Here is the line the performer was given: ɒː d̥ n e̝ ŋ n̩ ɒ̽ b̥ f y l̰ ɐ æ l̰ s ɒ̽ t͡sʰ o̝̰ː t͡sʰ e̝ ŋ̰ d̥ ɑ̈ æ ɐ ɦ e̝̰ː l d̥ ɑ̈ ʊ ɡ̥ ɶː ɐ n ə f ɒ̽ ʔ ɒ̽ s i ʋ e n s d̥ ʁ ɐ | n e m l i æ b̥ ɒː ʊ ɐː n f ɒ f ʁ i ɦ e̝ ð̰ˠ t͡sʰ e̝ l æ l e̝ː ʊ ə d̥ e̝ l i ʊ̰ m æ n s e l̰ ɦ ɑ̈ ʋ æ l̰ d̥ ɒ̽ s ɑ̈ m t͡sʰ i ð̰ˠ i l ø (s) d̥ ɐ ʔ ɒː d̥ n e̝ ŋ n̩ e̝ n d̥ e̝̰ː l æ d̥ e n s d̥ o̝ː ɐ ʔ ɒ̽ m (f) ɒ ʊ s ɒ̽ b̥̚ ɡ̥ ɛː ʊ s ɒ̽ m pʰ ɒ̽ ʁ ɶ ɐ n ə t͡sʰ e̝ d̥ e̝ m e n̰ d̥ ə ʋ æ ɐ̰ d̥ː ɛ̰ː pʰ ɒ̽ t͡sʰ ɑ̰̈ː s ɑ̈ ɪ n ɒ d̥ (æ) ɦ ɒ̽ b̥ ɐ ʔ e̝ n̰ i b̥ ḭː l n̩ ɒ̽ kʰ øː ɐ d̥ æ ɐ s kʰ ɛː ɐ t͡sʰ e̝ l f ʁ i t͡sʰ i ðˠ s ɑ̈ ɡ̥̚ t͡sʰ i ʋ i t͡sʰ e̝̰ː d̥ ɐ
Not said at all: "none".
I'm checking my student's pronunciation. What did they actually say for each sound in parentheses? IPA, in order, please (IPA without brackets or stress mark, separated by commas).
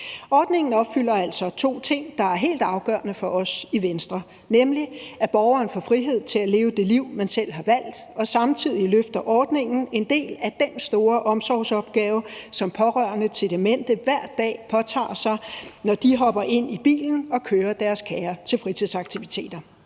f, s, i